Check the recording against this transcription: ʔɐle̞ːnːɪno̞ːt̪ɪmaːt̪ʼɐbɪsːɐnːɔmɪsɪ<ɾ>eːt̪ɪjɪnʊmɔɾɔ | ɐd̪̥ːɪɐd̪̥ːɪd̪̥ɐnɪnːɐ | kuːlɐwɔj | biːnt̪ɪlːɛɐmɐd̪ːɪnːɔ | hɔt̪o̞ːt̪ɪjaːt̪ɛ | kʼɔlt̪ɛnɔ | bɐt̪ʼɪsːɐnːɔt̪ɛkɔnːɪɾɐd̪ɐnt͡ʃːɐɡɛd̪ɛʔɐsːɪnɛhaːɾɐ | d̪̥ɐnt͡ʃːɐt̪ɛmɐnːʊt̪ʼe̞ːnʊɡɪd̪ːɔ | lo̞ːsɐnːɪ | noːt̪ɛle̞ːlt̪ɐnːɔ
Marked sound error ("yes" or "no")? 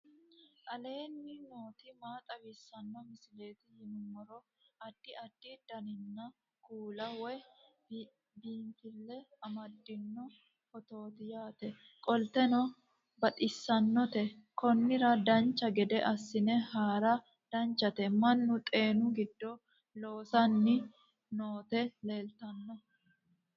yes